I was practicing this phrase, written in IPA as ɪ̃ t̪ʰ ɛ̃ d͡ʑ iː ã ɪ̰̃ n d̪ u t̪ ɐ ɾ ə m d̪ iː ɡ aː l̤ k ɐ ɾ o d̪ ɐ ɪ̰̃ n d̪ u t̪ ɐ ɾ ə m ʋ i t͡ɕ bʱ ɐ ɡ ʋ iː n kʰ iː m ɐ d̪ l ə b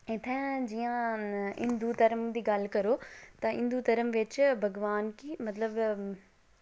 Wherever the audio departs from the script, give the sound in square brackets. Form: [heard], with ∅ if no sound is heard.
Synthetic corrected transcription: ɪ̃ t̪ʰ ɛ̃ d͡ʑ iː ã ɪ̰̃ n d̪ u t̪ ɐ ɾ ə m d̪ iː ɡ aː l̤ k ɐ ɾ o [t̪] ɐ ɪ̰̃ n d̪ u t̪ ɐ ɾ ə m ʋ [ɪ] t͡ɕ bʱ ɐ ɡ ʋ [aː] n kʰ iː m ɐ [t̪] l ə b

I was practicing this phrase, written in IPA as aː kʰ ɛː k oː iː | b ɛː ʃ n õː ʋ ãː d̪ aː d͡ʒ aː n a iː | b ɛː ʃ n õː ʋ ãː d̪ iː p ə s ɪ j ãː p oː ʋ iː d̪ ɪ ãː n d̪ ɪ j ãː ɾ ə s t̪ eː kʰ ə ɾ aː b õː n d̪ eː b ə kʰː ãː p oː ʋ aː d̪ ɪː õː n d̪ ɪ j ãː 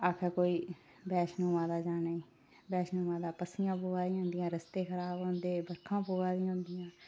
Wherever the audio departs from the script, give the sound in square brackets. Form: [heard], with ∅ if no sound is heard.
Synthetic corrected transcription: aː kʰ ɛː k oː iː | b ɛː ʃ n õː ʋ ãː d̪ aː d͡ʒ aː n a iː | b ɛː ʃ n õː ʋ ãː d̪ [aː] p ə s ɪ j ãː p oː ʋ [aː] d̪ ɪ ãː n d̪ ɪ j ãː ɾ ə s t̪ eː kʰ ə ɾ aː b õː n d̪ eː b ə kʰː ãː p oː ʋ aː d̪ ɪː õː n d̪ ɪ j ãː

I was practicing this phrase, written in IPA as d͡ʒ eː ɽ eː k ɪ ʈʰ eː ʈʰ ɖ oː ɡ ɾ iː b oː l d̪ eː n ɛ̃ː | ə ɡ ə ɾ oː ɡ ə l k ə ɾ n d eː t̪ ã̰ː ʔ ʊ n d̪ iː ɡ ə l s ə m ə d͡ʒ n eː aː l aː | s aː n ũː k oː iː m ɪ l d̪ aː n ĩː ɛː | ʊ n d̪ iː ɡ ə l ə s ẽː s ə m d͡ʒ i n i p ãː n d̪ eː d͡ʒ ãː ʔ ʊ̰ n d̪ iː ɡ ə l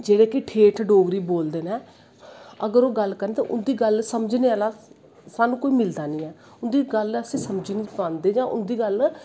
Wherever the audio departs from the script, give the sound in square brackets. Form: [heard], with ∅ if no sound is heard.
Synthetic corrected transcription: d͡ʒ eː ɽ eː k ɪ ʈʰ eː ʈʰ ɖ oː ɡ ɾ iː b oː l d̪ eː n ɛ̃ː | ə ɡ ə ɾ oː ɡ ə l k ə ɾ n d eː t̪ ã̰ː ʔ ʊ n d̪ iː ɡ ə l s ə m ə d͡ʒ n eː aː l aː | s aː n ũː k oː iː m ɪ l d̪ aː n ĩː ɛː | ʊ n d̪ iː ɡ ə l ə s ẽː s ə m d͡ʒ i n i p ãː n d̪ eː d͡ʒ ãː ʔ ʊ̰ n d̪ iː ɡ ə l

